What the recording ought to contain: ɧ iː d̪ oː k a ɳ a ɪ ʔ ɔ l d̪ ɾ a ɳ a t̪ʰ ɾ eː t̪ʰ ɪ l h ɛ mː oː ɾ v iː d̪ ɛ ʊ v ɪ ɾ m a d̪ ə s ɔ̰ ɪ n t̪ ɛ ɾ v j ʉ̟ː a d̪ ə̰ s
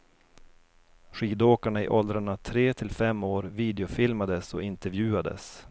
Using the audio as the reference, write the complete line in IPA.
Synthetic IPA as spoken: ɧ iː d̪ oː k a ɳ a ɪ ʔ ɔ l d̪ ɾ a ɳ a t̪ʰ ɾ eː t̪ʰ ɪ l f ɛ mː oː ɾ v iː d̪ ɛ ʊ f ɪ l m a d̪ ə s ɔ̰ ɪ n t̪ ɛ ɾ v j ʉ̟ː a d̪ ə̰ s